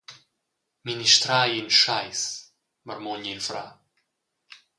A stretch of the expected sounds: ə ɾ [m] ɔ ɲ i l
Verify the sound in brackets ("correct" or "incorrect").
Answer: correct